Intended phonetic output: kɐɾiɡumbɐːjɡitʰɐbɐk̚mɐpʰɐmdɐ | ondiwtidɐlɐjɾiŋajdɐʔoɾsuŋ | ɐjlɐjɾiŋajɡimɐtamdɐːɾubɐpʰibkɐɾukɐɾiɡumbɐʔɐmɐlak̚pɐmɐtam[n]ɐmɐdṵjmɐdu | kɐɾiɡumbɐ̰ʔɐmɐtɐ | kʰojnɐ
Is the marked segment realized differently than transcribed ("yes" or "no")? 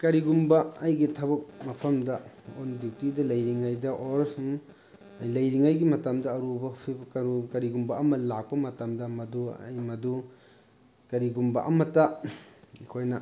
yes